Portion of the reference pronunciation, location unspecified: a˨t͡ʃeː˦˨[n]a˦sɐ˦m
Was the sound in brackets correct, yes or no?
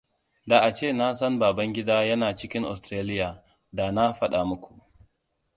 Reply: yes